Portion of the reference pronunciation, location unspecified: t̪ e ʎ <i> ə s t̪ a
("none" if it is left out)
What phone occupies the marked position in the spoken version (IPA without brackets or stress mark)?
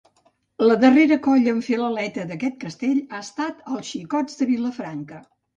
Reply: a